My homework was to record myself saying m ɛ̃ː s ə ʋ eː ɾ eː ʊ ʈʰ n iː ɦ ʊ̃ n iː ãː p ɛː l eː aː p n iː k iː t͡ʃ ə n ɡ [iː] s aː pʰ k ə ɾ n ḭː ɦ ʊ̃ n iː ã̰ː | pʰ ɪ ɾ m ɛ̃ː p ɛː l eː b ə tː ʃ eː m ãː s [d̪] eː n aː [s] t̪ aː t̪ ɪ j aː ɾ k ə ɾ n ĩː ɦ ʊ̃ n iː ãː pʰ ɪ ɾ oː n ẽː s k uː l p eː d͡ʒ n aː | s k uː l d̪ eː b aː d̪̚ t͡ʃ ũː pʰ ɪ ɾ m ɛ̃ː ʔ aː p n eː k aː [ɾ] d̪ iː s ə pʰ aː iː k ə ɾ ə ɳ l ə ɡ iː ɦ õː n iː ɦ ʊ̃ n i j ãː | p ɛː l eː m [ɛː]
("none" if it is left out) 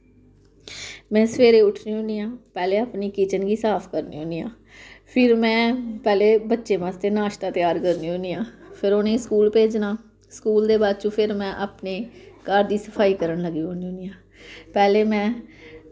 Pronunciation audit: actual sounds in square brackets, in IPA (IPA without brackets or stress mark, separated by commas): iː, t̪, ʃ, ɾ, ɛ̃ː